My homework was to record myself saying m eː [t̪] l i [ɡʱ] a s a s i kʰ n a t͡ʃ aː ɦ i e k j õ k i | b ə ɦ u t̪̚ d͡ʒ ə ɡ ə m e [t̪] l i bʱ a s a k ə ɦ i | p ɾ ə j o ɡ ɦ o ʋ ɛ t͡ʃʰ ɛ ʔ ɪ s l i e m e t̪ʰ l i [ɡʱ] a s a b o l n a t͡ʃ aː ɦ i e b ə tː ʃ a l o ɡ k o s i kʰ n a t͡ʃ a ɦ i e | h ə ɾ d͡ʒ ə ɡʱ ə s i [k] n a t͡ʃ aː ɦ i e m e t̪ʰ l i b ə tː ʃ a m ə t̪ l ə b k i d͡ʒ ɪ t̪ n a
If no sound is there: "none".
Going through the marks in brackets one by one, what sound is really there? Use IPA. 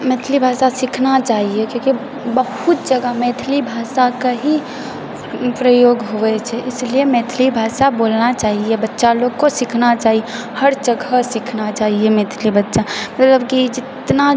t̪ʰ, bʱ, t̪ʰ, bʱ, kʰ

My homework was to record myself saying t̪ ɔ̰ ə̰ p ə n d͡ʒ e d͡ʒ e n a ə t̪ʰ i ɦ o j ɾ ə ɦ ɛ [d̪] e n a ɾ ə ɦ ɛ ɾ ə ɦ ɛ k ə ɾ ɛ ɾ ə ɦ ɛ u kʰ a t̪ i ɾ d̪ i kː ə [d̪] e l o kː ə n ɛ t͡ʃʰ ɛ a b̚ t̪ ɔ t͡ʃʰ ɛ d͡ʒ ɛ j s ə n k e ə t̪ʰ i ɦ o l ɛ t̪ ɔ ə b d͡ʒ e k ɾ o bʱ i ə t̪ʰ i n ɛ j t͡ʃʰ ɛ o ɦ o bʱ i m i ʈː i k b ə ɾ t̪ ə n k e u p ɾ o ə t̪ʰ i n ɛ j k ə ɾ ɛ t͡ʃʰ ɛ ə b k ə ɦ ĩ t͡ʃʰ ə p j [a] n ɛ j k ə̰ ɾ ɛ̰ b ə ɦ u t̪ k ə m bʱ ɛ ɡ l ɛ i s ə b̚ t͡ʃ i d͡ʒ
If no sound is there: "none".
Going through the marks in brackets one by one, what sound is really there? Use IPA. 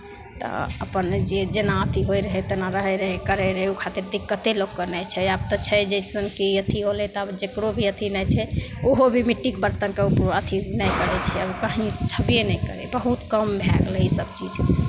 t̪, t̪, e

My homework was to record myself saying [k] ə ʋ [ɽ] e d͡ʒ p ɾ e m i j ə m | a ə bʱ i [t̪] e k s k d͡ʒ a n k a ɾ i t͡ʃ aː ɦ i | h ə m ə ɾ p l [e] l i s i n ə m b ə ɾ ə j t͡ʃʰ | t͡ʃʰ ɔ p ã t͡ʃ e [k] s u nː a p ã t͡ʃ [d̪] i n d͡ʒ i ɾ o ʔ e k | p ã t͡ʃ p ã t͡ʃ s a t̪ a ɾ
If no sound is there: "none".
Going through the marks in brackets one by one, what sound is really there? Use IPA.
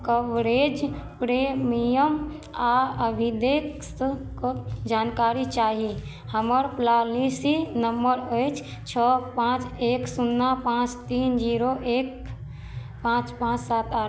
k, ɾ, d̪, a, k, t̪

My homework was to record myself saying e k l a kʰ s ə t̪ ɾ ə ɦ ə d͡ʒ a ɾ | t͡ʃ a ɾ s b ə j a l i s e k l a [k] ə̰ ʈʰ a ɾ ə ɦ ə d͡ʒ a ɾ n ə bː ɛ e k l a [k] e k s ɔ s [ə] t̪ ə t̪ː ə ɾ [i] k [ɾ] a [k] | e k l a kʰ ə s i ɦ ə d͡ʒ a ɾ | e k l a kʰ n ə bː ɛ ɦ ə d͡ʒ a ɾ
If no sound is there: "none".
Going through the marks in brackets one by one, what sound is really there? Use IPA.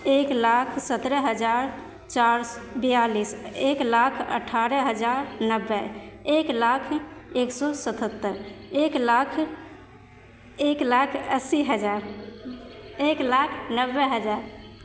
kʰ, kʰ, ə, e, l, kʰ

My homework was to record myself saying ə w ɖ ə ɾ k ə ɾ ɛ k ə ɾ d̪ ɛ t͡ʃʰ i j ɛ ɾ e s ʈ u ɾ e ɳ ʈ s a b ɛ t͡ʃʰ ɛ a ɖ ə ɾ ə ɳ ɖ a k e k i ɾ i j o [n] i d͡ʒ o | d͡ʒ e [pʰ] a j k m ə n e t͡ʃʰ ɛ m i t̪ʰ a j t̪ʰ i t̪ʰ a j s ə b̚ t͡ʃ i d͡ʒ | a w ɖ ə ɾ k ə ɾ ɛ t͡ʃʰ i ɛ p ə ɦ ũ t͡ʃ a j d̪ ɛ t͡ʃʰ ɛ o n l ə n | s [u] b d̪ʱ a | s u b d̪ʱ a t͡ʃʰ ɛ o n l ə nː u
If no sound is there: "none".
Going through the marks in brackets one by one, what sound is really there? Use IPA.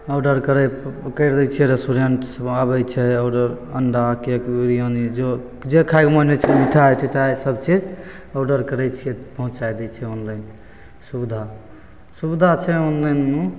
n, kʰ, u

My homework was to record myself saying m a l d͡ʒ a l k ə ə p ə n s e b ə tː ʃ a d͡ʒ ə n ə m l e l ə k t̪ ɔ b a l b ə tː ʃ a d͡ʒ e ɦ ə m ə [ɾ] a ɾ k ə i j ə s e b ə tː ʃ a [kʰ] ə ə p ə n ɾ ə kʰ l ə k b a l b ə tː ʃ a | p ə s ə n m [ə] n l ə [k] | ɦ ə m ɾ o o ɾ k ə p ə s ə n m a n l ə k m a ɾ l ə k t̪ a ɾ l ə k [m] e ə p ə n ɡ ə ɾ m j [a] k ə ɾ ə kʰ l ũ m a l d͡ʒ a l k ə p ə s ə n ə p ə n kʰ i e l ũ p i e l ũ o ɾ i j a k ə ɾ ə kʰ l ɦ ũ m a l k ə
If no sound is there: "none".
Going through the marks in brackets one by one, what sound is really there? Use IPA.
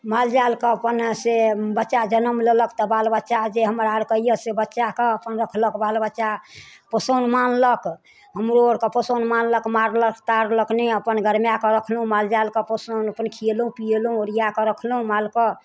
ɾ, k, a, k, n, a

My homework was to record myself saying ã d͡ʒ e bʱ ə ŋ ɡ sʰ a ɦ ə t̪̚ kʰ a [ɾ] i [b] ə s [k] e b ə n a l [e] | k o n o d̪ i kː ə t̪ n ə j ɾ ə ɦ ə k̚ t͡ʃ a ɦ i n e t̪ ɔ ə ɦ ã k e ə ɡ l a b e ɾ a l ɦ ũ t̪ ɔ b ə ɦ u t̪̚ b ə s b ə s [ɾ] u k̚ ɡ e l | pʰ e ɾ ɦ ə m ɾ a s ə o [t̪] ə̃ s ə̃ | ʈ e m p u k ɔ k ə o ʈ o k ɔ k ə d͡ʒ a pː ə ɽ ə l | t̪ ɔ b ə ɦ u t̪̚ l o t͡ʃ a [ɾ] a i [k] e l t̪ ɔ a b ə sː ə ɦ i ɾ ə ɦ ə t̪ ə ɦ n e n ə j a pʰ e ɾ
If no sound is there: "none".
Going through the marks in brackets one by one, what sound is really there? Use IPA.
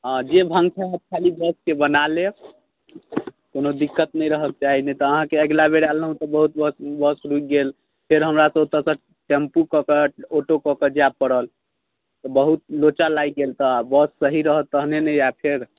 l, b, k, e, ɾ, t̪, l, ɡ

